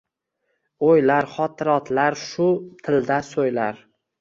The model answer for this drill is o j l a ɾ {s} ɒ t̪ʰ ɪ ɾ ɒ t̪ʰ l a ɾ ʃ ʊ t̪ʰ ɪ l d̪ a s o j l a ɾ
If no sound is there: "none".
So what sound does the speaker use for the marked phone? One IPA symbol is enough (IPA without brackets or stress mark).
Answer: χ